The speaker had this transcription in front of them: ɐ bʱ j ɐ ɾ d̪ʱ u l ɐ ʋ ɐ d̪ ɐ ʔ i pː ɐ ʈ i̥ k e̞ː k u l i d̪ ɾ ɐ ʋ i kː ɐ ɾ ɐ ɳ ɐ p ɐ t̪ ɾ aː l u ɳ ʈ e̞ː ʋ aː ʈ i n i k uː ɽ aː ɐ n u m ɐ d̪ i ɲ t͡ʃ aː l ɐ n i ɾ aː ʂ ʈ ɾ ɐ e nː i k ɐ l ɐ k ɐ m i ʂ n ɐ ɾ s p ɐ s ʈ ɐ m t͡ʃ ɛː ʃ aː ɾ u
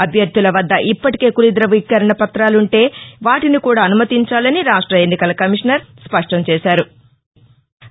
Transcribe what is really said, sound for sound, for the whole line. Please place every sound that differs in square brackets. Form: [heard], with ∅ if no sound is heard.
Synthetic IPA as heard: ɐ bʱ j ɐ ɾ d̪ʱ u l ɐ ʋ ɐ [d̪ː] ɐ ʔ i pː ɐ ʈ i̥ k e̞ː k u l i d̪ ɾ ɐ ʋ i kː ɐ ɾ ɐ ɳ ɐ p ɐ t̪ ɾ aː l u ɳ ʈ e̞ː ʋ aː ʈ i n i k uː ɽ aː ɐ n u m ɐ [t̪] i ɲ t͡ʃ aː l ɐ n i ɾ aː ʂ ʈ ɾ ɐ e nː i k ɐ l ɐ k ɐ m i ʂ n ɐ ɾ s p ɐ [ʂ] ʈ ɐ m t͡ʃ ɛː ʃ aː ɾ u